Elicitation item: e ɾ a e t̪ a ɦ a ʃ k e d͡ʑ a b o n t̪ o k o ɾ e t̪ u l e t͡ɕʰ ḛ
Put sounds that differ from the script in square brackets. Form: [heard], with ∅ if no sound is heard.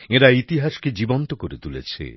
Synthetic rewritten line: e ɾ a [i] t̪ [i] ɦ a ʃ k e d͡ʑ [i] b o n t̪ o k o ɾ e t̪ u l e t͡ɕʰ ḛ